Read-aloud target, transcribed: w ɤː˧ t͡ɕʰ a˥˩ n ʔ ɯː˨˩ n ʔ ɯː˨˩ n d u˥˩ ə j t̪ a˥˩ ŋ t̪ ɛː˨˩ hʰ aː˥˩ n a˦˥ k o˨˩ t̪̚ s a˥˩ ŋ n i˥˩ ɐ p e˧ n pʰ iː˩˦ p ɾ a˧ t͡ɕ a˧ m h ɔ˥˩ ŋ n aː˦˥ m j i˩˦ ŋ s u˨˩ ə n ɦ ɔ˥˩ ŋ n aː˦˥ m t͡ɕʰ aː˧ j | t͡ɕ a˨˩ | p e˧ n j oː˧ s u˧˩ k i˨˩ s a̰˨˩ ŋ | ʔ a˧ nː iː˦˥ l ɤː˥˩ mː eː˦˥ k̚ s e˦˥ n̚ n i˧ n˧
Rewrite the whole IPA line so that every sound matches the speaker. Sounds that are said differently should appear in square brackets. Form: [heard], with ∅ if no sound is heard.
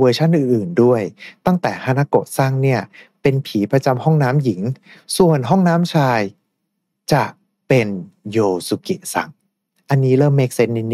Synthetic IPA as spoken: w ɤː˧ t͡ɕʰ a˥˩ n ʔ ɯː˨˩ n ʔ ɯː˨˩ n d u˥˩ ə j t̪ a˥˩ ŋ t̪ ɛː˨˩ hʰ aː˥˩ n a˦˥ k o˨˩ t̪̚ s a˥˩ ŋ n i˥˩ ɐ p e˧ n pʰ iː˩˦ p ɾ a˧ t͡ɕ a˧ m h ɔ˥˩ ŋ n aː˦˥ m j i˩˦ ŋ s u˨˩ ə n ɦ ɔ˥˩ ŋ n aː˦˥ m t͡ɕʰ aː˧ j | t͡ɕ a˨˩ | p e˧ n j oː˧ s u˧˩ k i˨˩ s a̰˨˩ ŋ | ʔ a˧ nː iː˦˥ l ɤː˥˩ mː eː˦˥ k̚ s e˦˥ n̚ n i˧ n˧